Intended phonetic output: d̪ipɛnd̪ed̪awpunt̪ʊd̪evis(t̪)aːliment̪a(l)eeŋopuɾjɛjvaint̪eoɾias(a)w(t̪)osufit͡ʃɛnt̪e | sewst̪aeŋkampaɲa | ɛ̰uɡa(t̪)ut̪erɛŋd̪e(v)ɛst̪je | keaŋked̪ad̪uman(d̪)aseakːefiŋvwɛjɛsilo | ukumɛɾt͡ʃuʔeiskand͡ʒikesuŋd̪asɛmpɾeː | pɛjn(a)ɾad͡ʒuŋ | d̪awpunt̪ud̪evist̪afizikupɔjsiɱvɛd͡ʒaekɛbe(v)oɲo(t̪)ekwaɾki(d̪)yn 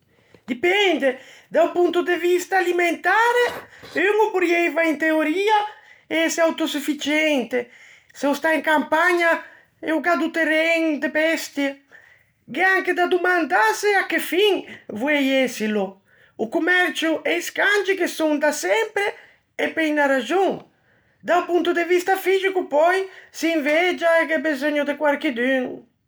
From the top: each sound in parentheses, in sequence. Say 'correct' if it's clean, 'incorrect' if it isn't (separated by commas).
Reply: correct, incorrect, correct, correct, incorrect, incorrect, correct, correct, incorrect, incorrect, correct